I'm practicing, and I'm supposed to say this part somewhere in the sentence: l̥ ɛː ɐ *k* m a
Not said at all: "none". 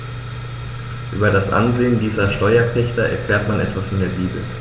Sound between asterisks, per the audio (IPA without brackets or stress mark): t